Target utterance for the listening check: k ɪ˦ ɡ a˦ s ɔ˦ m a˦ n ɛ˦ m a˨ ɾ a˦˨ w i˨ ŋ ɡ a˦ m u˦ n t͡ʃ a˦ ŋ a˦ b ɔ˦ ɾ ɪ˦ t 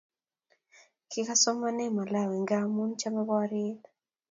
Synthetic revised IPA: k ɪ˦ k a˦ s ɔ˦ m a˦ n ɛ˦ m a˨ l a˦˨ w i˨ ŋ ɡ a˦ m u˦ n t͡ʃ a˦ m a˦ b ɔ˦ ɾ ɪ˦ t